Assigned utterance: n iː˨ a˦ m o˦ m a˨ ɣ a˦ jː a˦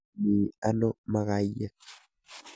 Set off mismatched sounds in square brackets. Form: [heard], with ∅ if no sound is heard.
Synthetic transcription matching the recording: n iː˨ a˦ [n] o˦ m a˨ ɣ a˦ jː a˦